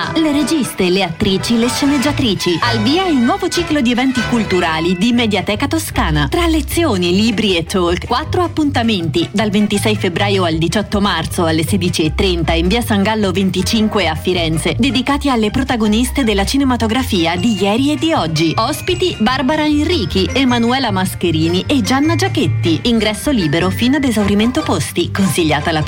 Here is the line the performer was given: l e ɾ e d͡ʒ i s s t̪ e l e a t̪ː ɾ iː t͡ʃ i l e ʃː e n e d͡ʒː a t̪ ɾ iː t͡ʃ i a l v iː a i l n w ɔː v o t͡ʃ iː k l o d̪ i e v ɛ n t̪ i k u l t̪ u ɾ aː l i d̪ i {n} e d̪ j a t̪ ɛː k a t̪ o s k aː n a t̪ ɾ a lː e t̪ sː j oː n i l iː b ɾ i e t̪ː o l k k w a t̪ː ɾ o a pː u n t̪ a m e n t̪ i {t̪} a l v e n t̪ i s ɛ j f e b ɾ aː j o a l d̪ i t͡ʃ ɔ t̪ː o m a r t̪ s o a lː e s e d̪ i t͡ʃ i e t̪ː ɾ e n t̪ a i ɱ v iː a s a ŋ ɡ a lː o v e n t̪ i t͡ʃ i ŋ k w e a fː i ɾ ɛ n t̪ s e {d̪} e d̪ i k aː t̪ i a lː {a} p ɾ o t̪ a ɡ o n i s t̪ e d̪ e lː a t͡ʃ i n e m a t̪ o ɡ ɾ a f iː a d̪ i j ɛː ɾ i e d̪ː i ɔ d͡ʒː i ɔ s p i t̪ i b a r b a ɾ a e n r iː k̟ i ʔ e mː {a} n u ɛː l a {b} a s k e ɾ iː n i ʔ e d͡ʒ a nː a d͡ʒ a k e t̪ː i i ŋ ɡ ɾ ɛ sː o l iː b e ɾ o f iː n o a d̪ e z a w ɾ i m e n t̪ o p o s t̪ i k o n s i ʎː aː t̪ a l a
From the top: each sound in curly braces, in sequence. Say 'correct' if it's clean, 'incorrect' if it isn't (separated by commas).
incorrect, incorrect, correct, incorrect, correct, incorrect